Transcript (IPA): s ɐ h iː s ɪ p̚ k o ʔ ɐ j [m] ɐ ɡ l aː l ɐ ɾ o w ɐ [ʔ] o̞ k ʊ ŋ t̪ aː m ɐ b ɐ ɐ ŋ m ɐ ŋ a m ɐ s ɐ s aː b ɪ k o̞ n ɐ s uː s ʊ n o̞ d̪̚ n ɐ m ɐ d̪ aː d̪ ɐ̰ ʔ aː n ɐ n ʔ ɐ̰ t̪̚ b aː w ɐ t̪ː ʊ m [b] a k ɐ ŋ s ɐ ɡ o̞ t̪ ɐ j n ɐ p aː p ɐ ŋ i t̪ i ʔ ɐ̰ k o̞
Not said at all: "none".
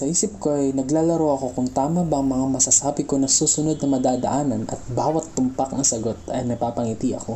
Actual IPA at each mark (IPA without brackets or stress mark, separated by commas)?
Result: n, k, p